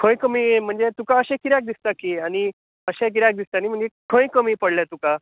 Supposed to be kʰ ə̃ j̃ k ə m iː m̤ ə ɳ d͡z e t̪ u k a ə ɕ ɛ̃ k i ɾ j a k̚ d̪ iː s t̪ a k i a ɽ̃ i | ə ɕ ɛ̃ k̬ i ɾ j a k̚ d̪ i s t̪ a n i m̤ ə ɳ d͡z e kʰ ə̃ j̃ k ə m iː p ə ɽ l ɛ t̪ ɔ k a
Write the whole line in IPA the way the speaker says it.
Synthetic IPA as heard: kʰ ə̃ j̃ k ə m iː m̤ ə ɳ d͡z e t̪ u k a ə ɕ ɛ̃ k i ɾ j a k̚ d̪ i s t̪ a k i a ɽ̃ i | ə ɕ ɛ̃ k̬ i ɾ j a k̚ d̪ i s t̪ a n i m̤ ə ɳ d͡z e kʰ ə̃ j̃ k ə m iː p ə ɽ l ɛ t̪ u k a